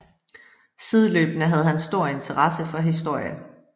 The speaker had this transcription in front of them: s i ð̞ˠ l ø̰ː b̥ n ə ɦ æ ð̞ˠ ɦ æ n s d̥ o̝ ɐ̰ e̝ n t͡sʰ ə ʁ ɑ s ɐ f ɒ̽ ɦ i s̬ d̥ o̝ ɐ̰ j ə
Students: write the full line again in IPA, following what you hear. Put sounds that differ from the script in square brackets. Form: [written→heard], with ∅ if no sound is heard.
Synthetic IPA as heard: s i ð̞ˠ l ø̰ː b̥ n ə ɦ æ ð̞ˠ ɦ æ n s d̥ o̝ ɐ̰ e̝ n t͡sʰ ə ʁ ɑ s [ɐ→ə] f ɒ̽ ɦ i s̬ d̥ o̝ ɐ̰ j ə